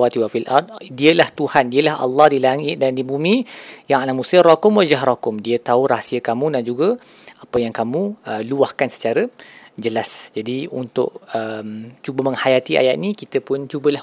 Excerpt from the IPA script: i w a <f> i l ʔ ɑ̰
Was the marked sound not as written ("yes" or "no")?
no